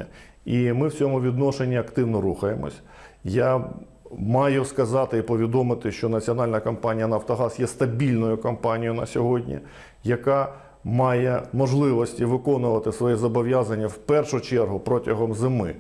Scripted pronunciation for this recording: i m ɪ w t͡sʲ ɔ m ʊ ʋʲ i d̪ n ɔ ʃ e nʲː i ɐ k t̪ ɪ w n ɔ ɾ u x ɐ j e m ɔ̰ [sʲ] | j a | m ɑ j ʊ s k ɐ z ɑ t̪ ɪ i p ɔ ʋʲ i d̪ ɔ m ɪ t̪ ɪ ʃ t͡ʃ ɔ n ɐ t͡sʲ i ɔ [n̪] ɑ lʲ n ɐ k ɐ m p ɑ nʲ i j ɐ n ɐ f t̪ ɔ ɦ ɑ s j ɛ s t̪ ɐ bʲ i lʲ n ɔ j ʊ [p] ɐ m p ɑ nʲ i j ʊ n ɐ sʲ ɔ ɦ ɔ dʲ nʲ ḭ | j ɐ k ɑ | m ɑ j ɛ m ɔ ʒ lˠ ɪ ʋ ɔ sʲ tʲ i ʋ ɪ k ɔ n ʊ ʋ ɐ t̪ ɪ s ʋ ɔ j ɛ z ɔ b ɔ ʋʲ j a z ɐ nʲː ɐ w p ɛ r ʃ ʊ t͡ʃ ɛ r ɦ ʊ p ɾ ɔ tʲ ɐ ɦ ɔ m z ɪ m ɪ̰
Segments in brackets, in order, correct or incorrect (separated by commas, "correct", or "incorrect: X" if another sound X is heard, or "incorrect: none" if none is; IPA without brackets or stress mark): correct, correct, incorrect: k